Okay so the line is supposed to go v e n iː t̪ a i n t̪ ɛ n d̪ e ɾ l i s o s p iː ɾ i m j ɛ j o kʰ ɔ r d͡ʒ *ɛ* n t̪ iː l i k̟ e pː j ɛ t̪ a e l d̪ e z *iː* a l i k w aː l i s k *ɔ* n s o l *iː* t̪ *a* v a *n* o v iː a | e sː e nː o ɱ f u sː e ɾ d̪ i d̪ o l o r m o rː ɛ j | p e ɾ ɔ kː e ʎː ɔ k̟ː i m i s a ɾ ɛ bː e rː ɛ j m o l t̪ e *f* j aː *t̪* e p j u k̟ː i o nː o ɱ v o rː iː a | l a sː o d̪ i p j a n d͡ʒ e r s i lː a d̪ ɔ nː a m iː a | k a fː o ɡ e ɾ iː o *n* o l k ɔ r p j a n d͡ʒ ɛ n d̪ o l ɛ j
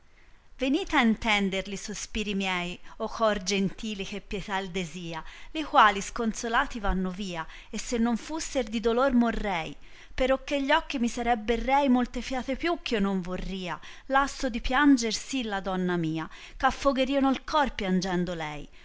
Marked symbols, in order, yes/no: no, yes, no, no, no, no, yes, yes, yes

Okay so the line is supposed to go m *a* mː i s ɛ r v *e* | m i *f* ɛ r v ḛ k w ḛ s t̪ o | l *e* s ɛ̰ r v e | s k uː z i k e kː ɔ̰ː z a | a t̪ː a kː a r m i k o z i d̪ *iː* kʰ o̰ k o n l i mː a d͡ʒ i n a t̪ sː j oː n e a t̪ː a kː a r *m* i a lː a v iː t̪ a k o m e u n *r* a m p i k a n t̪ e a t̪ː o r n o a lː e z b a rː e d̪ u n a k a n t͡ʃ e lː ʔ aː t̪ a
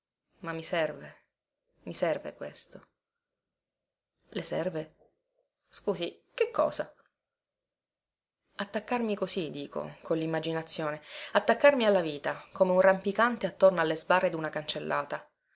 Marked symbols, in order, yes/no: yes, yes, no, yes, yes, yes, yes

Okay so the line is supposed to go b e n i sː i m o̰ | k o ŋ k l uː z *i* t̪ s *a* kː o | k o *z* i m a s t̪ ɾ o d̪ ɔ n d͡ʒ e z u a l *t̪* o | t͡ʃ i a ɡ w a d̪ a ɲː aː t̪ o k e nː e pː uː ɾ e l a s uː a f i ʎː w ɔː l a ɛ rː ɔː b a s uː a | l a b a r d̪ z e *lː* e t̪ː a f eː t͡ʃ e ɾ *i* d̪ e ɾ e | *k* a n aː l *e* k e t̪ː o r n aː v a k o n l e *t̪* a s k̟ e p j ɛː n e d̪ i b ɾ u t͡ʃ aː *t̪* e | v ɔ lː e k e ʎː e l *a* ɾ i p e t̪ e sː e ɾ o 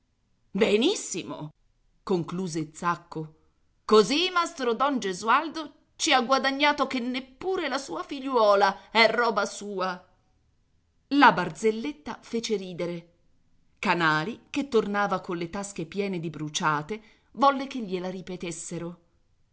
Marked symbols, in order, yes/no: no, yes, yes, no, yes, no, yes, no, yes, yes, yes

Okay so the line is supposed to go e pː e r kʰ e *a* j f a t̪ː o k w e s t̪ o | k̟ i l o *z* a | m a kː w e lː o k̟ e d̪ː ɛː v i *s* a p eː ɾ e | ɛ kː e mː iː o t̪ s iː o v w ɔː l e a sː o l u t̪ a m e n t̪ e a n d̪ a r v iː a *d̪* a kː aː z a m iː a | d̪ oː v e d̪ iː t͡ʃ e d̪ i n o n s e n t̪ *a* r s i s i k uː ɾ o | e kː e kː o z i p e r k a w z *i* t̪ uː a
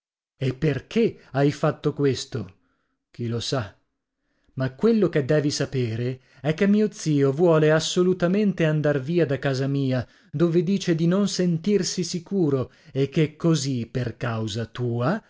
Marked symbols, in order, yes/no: yes, no, yes, yes, no, no

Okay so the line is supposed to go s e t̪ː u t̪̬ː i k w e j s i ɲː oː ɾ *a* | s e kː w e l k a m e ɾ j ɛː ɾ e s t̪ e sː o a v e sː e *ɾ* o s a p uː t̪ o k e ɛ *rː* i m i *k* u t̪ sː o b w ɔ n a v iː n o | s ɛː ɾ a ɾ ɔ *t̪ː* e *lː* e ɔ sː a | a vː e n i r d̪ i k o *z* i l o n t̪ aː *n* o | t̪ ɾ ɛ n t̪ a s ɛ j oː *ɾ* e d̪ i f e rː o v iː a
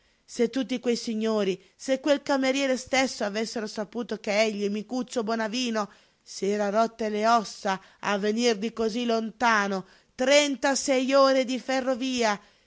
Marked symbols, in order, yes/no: no, yes, no, yes, yes, no, yes, yes, yes

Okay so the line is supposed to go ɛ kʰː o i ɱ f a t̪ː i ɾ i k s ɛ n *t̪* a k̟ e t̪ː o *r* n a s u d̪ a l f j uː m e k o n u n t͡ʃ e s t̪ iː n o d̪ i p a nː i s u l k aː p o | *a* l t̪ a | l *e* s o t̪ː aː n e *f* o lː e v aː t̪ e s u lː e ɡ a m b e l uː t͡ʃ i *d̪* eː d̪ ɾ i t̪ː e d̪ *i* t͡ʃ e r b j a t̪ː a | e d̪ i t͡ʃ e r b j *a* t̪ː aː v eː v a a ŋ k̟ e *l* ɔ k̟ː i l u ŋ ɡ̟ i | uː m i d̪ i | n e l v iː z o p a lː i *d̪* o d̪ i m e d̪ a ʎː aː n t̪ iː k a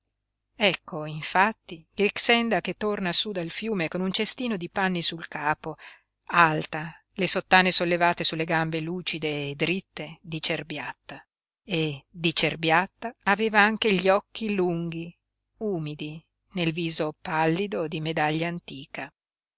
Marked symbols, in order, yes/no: no, yes, yes, yes, no, yes, yes, yes, no, yes

